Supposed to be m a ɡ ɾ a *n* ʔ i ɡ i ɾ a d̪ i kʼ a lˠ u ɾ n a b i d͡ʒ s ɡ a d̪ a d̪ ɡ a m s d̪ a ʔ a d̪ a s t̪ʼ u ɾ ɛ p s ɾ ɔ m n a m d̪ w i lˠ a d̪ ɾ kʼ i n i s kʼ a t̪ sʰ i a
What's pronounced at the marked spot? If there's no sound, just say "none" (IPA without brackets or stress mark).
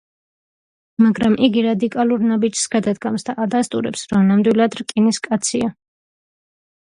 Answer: m